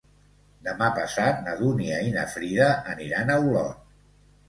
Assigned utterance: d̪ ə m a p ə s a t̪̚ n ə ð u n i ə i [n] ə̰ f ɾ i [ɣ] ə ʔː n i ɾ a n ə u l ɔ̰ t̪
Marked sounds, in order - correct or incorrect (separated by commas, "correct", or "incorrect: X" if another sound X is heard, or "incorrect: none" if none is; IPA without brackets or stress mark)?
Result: correct, incorrect: ð